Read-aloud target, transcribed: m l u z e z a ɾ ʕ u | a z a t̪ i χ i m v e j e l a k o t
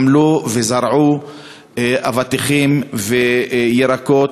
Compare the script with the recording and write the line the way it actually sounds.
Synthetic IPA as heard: m l u v e z a ɾ ʕ u | a v a t̪ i χ i m v e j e ɾ a k o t